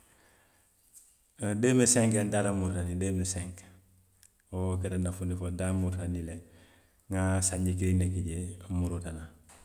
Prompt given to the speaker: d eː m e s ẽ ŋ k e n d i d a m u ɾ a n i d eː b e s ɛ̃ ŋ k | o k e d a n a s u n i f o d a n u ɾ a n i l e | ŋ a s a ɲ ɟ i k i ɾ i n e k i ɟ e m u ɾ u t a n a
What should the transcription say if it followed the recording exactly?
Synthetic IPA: d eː m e s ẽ ŋ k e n d a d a m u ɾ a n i d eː m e s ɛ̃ ŋ k | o k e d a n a f u n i f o d a m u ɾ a n i l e | ŋ a s a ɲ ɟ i k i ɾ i n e k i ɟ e m u ɾ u t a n a